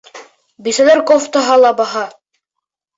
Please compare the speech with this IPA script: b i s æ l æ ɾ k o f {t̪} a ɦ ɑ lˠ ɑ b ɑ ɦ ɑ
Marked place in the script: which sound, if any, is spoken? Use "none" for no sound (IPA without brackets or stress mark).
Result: t̪